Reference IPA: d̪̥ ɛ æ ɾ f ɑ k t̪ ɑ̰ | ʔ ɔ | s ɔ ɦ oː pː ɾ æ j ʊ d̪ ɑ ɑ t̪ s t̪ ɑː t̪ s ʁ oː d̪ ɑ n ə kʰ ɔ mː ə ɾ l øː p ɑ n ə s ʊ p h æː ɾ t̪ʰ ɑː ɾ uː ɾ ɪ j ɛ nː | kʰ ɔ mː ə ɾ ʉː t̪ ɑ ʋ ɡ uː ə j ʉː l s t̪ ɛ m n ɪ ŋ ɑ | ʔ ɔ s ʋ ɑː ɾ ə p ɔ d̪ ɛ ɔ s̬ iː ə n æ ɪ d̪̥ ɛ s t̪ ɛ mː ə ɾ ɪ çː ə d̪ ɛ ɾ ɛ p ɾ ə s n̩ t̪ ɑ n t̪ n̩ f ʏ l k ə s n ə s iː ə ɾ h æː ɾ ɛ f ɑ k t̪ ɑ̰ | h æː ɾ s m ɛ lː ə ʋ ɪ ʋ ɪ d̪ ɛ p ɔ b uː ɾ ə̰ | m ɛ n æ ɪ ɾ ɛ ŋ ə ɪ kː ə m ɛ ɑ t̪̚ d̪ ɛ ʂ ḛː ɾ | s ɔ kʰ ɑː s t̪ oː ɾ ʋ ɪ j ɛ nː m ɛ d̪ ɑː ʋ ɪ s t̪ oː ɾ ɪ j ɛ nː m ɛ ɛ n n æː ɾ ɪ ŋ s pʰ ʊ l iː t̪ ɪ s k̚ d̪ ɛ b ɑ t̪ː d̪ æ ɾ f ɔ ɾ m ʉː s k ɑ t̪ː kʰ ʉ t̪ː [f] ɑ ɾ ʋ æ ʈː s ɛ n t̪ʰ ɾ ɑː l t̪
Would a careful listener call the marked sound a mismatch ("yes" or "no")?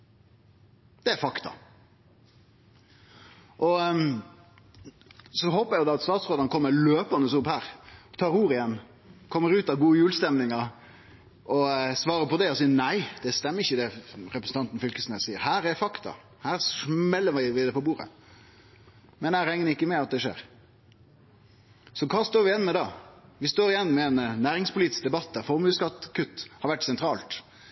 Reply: yes